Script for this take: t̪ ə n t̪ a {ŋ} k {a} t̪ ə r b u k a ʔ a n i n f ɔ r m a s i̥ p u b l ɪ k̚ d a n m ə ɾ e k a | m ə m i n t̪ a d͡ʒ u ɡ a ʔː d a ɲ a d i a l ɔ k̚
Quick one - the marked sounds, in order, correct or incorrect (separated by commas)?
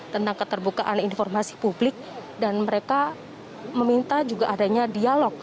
correct, incorrect